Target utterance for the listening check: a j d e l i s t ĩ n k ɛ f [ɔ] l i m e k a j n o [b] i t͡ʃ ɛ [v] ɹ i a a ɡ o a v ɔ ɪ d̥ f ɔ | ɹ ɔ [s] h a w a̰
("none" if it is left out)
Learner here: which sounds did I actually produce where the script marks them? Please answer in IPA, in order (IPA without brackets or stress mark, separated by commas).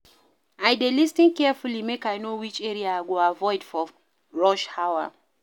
u, w, none, ʃ